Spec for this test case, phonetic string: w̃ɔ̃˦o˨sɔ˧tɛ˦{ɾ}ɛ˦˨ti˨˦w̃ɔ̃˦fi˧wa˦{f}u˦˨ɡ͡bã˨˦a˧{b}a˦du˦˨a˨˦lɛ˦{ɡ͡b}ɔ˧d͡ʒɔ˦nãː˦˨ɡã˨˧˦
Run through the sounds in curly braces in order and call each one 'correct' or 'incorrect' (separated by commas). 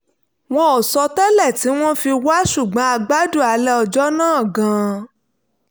incorrect, incorrect, incorrect, incorrect